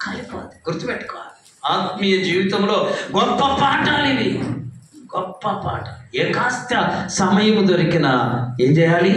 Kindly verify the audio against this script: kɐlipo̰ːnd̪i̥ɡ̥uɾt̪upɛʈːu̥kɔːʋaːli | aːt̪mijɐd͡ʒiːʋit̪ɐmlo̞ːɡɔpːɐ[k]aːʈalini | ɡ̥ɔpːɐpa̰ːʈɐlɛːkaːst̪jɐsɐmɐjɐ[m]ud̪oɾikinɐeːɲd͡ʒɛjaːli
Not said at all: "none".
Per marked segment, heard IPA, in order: p, m

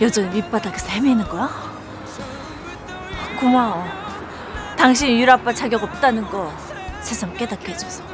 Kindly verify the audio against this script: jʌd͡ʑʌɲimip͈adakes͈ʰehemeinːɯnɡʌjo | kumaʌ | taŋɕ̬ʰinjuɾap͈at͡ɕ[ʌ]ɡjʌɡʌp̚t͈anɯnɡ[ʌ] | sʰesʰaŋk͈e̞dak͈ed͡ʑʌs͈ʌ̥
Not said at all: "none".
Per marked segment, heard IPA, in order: a, ʌ

